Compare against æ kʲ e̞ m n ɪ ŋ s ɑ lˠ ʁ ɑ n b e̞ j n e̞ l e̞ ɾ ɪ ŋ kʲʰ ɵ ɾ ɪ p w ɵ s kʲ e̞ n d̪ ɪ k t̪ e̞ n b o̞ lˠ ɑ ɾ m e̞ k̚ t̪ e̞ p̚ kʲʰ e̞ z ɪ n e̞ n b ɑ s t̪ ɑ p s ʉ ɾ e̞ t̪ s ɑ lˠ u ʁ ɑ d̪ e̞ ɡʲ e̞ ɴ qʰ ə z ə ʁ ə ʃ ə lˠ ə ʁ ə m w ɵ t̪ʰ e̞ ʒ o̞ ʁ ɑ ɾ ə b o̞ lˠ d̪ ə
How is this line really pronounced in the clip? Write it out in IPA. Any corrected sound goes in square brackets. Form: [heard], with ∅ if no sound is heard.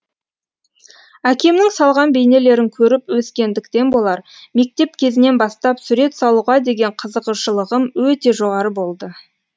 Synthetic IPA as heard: æ kʲ e̞ m n ɪ ŋ s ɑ lˠ ʁ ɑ n b e̞ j n e̞ l e̞ ɾ ɪ ŋ kʲʰ ɵ ɾ ɪ p w ɵ s kʲ e̞ n d̪ ɪ k t̪ e̞ n b o̞ lˠ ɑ ɾ m e̞ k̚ t̪ e̞ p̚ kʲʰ e̞ z ɪ n e̞ n b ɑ s t̪ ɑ p s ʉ ɾ e̞ t̪ s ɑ lˠ u ʁ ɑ d̪ e̞ ɡʲ e̞ ɴ qʰ ə z ə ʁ ə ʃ ə lˠ ə ʁ ə m w ɵ [t̪] e̞ ʒ o̞ ʁ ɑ ɾ ə b o̞ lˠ d̪ ə

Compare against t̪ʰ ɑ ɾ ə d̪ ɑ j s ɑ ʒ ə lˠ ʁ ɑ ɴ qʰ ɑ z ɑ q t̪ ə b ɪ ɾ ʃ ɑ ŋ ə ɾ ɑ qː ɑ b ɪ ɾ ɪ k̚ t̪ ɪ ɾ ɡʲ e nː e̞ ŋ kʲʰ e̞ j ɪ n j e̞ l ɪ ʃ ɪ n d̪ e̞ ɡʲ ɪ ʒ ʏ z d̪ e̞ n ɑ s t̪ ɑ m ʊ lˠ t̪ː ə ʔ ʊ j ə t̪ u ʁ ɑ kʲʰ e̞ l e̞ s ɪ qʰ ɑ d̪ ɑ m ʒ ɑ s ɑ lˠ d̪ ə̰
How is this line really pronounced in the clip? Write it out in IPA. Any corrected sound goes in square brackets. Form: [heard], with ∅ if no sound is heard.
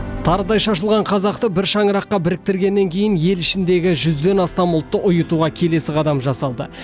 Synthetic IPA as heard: t̪ʰ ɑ ɾ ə d̪ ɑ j [ʃ] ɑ [ʃ] ə lˠ ʁ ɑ ɴ qʰ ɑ z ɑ q t̪ ə b ɪ ɾ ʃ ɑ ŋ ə ɾ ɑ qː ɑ b ɪ ɾ ɪ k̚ t̪ ɪ ɾ ɡʲ e nː e̞ ŋ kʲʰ e̞ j ɪ n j e̞ l ɪ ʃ ɪ n d̪ e̞ ɡʲ ɪ ʒ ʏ z d̪ e̞ n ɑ s t̪ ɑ m ʊ lˠ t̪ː ə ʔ ʊ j ə t̪ u ʁ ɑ kʲʰ e̞ l e̞ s ɪ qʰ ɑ d̪ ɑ m ʒ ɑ s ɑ lˠ d̪ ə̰

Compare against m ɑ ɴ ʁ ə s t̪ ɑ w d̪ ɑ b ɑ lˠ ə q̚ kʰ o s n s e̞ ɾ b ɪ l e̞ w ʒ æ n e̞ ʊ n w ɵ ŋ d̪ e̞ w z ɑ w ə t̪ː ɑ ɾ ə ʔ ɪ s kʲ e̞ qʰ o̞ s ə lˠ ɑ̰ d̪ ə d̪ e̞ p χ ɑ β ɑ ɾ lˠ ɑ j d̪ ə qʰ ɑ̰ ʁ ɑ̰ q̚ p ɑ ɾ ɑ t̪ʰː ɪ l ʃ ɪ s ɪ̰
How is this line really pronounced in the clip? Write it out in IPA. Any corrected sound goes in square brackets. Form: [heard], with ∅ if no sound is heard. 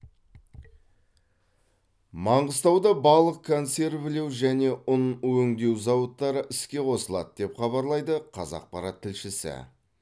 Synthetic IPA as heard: m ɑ ɴ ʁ ə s t̪ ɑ w d̪ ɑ b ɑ lˠ ə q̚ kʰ o [∅] n s e̞ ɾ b ɪ l e̞ w ʒ æ n e̞ ʊ n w ɵ ŋ d̪ e̞ w z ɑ w ə t̪ː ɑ ɾ ə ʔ ɪ s kʲ e̞ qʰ o̞ s ə lˠ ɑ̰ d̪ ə d̪ e̞ p χ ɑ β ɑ ɾ lˠ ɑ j d̪ ə qʰ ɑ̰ [z] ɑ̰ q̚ p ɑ ɾ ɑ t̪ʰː ɪ l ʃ ɪ s ɪ̰

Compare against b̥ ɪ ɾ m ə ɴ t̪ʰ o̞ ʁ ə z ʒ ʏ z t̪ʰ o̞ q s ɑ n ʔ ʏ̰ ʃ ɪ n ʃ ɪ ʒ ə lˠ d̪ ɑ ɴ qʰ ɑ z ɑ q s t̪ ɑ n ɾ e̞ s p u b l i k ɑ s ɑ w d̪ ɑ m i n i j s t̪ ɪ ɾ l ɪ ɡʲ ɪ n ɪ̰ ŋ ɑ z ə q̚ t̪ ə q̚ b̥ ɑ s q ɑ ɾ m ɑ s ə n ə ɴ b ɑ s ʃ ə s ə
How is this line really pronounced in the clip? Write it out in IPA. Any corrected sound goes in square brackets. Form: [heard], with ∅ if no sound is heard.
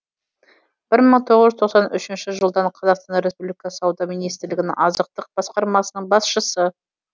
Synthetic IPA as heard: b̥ ɪ ɾ m ə ɴ t̪ʰ o̞ ʁ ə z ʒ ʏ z t̪ʰ o̞ q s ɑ n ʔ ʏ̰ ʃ ɪ n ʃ ɪ ʒ ə lˠ d̪ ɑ ɴ qʰ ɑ z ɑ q s t̪ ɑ n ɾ e̞ s p u b l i k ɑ s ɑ w d̪ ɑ m i n i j s t̪ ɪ ɾ l ɪ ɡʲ ɪ n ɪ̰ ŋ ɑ z ə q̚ t̪ ə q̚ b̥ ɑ s q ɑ ɾ m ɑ s ə n ə ɴ b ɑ s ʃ ə s ə

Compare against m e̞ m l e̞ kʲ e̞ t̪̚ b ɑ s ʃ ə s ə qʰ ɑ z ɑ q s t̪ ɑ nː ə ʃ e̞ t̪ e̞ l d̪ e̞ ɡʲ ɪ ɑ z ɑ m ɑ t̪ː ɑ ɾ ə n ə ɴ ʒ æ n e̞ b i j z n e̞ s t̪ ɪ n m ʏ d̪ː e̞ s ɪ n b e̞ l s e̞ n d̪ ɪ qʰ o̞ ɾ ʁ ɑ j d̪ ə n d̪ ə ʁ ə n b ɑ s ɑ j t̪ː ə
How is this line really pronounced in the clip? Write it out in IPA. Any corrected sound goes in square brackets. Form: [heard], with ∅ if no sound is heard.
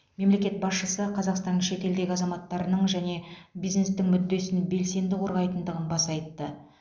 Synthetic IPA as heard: m e̞ m l e̞ kʲ e̞ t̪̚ b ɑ s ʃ ə s ə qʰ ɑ z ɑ q s t̪ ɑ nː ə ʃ e̞ t̪ e̞ l d̪ e̞ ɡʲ ɪ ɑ z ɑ m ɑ t̪ː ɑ ɾ ə n ə ɴ ʒ æ n e̞ b i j z n e̞ s t̪ ɪ [ŋ] m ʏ d̪ː e̞ s ɪ n b e̞ l s e̞ n d̪ ɪ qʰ o̞ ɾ ʁ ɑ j [t̪] ə n d̪ ə ʁ ə n b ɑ s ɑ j t̪ː ə

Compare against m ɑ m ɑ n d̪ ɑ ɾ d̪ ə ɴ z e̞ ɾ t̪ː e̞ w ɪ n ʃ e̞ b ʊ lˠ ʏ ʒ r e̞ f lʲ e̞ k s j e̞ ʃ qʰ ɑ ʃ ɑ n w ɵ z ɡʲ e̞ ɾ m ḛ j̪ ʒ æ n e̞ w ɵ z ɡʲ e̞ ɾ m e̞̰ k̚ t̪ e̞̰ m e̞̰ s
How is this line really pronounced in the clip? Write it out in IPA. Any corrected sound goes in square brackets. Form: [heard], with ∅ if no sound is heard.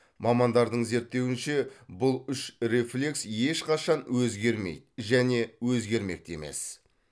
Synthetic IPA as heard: m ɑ m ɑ n d̪ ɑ ɾ d̪ ə ɴ z e̞ ɾ t̪ː e̞ w ɪ n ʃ e̞ b ʊ lˠ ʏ [ʃ] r e̞ f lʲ e̞ k s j e̞ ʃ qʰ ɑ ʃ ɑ n w ɵ z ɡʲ e̞ ɾ m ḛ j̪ ʒ æ n e̞ w ɵ z ɡʲ e̞ ɾ m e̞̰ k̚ t̪ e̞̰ m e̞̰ s

